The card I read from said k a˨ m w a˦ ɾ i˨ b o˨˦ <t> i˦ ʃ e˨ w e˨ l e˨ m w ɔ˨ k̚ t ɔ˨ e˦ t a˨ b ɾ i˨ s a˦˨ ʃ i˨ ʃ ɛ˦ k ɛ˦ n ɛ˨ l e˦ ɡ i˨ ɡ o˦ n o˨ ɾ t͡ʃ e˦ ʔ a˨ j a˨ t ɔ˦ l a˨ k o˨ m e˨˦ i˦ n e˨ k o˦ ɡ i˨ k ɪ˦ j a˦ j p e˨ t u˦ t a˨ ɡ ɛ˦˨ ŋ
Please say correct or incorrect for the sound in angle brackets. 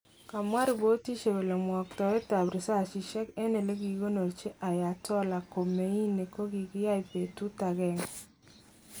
correct